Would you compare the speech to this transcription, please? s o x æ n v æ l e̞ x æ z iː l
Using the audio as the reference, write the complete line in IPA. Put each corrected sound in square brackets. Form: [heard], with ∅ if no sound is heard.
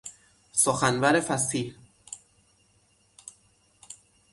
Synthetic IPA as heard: s o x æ n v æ [ɾ] e̞ [f] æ [s] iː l